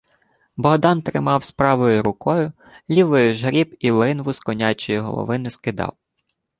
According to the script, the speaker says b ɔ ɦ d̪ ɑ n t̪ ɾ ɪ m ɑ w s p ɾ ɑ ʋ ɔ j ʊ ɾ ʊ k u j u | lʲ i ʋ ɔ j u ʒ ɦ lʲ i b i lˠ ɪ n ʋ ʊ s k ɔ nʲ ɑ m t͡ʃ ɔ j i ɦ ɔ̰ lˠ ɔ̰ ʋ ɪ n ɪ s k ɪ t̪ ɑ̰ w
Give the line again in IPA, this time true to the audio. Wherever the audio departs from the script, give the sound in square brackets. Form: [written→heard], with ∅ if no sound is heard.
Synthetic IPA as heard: b ɔ ɦ d̪ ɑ n t̪ ɾ ɪ m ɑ w s p ɾ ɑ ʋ ɔ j ʊ ɾ ʊ k [u→ɔ] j [u→ʊ] | lʲ i ʋ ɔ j [u→ʊ] ʒ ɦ [lʲ→ɾʲ] i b i lˠ ɪ n ʋ ʊ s k ɔ nʲ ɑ [m→∅] t͡ʃ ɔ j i ɦ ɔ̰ lˠ ɔ̰ ʋ ɪ n ɪ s k ɪ [t̪→d̪] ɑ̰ w

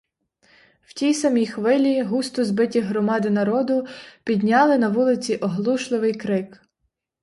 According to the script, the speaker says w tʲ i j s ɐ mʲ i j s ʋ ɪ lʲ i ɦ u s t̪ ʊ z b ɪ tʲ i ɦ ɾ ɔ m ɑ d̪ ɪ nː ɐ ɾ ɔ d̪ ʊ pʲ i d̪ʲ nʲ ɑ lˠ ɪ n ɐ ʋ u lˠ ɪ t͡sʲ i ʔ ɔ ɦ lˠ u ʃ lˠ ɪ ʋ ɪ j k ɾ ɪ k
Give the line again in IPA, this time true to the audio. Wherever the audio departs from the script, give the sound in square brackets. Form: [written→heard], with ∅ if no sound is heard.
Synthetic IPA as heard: w tʲ i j s ɐ mʲ i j [s→x] ʋ ɪ lʲ i ɦ u s t̪ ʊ z b ɪ tʲ i ɦ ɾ ɔ m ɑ d̪ ɪ [nː→n] ɐ ɾ ɔ d̪ ʊ pʲ i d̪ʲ nʲ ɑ lˠ ɪ n ɐ ʋ u lˠ ɪ t͡sʲ i ʔ ɔ ɦ lˠ u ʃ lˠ ɪ ʋ ɪ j k ɾ ɪ k

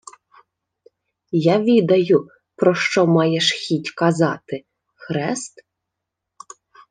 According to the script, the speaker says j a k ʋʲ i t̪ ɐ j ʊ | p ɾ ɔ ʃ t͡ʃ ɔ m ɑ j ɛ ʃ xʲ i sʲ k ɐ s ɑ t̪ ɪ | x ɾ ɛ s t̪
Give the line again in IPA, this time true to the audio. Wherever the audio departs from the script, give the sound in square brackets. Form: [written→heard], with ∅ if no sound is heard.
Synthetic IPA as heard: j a [k→∅] ʋʲ i [t̪→d̪] ɐ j ʊ | p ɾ ɔ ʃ t͡ʃ ɔ m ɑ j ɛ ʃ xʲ i [sʲ→tʲ] k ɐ [s→z] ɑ t̪ ɪ | x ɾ ɛ s t̪

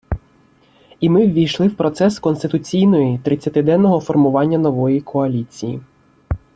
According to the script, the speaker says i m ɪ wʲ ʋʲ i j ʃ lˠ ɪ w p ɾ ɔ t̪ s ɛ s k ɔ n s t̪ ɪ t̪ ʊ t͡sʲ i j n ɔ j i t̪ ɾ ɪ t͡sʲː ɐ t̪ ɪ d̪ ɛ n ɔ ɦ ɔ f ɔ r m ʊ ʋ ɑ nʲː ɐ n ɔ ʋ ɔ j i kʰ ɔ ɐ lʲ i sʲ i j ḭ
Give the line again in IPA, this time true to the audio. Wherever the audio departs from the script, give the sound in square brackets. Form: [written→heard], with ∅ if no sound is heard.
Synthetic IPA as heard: i m ɪ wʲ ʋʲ i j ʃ lˠ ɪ w p ɾ ɔ t̪ s ɛ s k ɔ n s t̪ ɪ t̪ ʊ t͡sʲ i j n ɔ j i t̪ ɾ ɪ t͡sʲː ɐ t̪ ɪ d̪ ɛ [n→nː] ɔ ɦ ɔ f ɔ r m ʊ ʋ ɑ nʲː ɐ n ɔ ʋ ɔ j i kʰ ɔ ɐ lʲ i [sʲ→t͡sʲ] i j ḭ

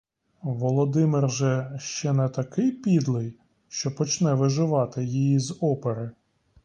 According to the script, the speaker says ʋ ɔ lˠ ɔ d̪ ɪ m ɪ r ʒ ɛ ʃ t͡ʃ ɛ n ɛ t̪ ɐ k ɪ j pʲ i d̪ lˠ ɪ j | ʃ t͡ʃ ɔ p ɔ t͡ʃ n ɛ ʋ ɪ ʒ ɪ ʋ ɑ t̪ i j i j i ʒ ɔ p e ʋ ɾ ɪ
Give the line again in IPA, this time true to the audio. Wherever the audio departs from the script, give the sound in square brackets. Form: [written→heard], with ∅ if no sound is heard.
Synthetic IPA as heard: ʋ ɔ lˠ ɔ d̪ ɪ m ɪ r ʒ ɛ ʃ t͡ʃ ɛ n ɛ t̪ ɐ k ɪ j pʲ i d̪ lˠ ɪ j | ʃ t͡ʃ ɔ p ɔ t͡ʃ n ɛ ʋ ɪ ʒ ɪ ʋ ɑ t̪ [i→ɪ] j i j i [ʒ→z] ɔ p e [ʋ→∅] ɾ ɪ

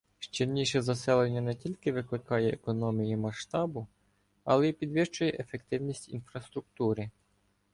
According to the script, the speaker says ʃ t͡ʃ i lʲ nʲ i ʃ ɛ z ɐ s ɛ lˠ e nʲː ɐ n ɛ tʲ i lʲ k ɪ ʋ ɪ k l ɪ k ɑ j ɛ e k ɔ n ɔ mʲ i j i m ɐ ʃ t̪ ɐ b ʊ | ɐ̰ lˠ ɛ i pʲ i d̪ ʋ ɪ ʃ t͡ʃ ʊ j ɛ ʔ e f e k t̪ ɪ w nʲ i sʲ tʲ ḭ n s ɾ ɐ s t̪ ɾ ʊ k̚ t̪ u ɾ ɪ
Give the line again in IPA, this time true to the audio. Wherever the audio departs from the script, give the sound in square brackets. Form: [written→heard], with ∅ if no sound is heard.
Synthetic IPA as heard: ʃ t͡ʃ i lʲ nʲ i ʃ ɛ z ɐ s ɛ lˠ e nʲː ɐ n ɛ tʲ i lʲ k ɪ ʋ ɪ k l ɪ k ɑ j ɛ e k ɔ n ɔ mʲ i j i m ɐ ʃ t̪ [ɐ→ɑ] b ʊ | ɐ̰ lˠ ɛ i pʲ i d̪ ʋ ɪ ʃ t͡ʃ ʊ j ɛ ʔ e f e k t̪ ɪ w nʲ i sʲ tʲ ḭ n [s→f] ɾ ɐ s t̪ ɾ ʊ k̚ t̪ u ɾ ɪ

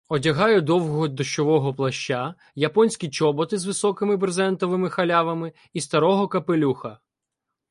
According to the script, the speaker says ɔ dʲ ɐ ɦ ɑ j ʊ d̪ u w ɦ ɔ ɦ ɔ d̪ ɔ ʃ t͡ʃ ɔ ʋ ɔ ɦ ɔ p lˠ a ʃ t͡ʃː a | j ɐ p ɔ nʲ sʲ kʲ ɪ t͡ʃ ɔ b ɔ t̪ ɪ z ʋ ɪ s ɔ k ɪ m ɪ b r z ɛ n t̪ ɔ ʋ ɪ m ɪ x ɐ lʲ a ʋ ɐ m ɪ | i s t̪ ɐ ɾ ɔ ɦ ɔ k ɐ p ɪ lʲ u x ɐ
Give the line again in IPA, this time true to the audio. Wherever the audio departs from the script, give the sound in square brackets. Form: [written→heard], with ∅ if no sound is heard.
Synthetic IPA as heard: ɔ dʲ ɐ ɦ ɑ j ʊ d̪ [u→ɔ] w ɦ ɔ ɦ ɔ d̪ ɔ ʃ t͡ʃ ɔ ʋ ɔ ɦ ɔ p lˠ [a→ɐ] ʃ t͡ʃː a | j ɐ p ɔ nʲ sʲ kʲ [ɪ→i] t͡ʃ ɔ b ɔ t̪ ɪ z ʋ ɪ s ɔ k ɪ m ɪ b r z ɛ n t̪ ɔ ʋ ɪ m ɪ x ɐ lʲ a ʋ ɐ m ɪ | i s t̪ ɐ ɾ ɔ ɦ ɔ k ɐ p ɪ lʲ u x ɐ

